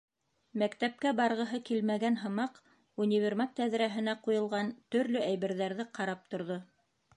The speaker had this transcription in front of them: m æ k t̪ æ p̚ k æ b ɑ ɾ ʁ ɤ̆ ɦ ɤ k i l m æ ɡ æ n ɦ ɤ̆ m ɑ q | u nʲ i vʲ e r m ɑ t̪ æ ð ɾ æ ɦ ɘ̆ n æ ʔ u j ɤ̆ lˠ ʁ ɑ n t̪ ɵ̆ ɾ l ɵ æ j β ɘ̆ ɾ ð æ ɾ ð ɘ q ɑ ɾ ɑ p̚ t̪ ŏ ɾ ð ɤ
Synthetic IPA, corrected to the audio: m æ k t̪ æ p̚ k æ b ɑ ɾ ʁ ɤ̆ ɦ ɤ k i l m æ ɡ æ n ɦ ɤ̆ m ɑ q | u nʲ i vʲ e r m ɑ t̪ æ ð ɾ æ ɦ ɘ̆ n æ q u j ɤ̆ lˠ ʁ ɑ n t̪ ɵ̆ ɾ l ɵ æ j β ɘ̆ ɾ ð æ ɾ ð ɘ q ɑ ɾ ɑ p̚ t̪ ŏ ɾ ð o